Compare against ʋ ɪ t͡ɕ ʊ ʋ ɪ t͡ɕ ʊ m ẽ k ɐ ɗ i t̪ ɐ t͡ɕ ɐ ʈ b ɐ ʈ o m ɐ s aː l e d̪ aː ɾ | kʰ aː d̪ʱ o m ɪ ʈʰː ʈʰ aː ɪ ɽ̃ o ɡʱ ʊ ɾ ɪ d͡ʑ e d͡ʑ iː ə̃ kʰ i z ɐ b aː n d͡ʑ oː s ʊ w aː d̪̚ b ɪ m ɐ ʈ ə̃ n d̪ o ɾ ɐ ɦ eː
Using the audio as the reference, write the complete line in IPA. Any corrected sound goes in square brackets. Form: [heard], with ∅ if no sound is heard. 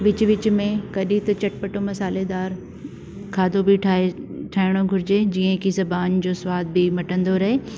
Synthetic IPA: ʋ ɪ t͡ɕ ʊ ʋ ɪ t͡ɕ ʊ m ẽ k ɐ ɗ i t̪ ɐ t͡ɕ ɐ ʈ [p] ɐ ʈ o m ɐ s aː l e d̪ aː ɾ | kʰ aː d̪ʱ o [b] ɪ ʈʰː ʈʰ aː ɪ ɽ̃ o ɡʱ ʊ ɾ ɪ d͡ʑ e d͡ʑ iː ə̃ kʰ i z ɐ b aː n d͡ʑ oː s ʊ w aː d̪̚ b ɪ m ɐ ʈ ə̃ n d̪ o ɾ ɐ ɦ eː

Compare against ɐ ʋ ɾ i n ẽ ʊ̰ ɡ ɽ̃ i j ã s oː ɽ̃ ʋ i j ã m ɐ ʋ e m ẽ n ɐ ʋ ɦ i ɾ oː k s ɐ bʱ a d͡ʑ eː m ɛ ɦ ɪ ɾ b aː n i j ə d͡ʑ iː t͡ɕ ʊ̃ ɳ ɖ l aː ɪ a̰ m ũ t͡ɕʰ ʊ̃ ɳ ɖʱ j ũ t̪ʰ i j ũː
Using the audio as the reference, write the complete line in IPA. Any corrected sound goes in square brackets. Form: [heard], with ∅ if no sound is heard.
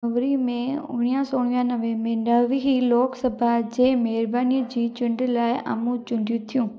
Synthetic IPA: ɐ ʋ ɾ i [m] ẽ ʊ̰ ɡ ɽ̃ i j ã s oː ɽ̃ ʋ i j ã [n] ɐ ʋ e m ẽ n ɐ ʋ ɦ i [l] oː k s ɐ bʱ a d͡ʑ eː m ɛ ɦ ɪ ɾ b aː n i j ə d͡ʑ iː t͡ɕ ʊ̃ ɳ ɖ l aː ɪ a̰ m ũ [t͡ɕ] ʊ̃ ɳ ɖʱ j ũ t̪ʰ i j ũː

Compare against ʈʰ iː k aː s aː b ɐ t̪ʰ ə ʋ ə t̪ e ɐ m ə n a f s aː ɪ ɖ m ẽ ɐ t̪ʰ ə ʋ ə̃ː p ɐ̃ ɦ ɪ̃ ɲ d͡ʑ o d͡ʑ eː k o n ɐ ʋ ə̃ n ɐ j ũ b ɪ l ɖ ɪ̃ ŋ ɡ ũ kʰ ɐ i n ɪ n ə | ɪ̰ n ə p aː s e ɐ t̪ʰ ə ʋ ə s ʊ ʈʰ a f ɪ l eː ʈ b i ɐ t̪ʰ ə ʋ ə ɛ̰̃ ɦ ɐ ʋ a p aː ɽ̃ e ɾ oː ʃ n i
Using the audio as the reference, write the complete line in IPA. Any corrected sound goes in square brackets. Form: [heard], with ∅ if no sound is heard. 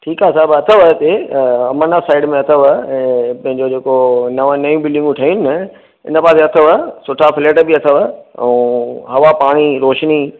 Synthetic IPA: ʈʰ iː k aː s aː b ɐ t̪ʰ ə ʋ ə t̪ e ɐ m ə n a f s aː ɪ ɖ m ẽ ɐ t̪ʰ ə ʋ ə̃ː p ɐ̃ ɦ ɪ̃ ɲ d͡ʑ o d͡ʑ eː k o n ɐ ʋ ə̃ n ɐ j ũ b ɪ l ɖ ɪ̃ ŋ ɡ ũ [ʈʰ] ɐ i n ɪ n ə | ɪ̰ n ə p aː s e ɐ t̪ʰ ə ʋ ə s ʊ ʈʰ a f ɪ l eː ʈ b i ɐ t̪ʰ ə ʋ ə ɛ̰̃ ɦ ɐ ʋ a p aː ɽ̃ [i] ɾ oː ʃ n i

